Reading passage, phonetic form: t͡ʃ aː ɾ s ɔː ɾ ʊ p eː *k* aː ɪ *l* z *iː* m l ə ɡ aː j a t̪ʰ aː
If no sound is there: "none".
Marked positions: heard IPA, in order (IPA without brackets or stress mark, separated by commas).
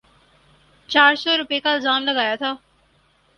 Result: k, l, aː